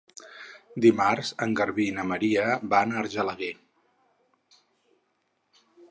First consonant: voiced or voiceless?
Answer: voiced